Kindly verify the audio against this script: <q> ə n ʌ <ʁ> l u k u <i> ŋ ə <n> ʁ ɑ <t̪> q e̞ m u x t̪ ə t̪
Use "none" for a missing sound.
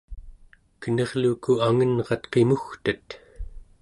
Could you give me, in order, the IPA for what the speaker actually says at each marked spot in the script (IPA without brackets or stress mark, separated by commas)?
k, ʁ, a, n, t̪